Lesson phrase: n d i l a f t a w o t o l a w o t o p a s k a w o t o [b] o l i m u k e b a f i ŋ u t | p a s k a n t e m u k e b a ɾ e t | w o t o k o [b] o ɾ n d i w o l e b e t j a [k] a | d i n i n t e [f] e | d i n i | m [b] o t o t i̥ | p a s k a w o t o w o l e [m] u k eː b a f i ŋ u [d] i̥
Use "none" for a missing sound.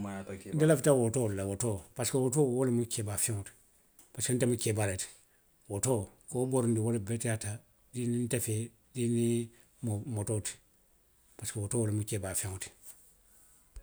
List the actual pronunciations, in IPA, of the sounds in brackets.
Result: w, b, t, f, m, m, t

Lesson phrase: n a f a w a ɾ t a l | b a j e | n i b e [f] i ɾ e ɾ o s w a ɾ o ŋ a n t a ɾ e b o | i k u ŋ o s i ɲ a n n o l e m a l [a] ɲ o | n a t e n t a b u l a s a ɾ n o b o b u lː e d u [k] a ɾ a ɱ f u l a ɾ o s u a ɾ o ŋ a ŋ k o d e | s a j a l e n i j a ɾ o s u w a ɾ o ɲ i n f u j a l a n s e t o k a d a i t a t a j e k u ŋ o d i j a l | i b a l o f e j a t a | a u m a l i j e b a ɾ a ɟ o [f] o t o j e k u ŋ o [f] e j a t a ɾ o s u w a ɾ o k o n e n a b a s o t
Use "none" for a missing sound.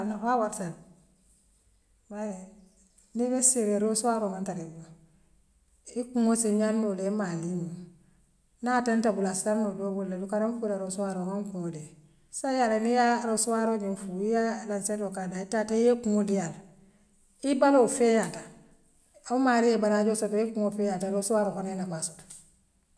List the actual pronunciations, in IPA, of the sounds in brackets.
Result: s, i, k, s, f

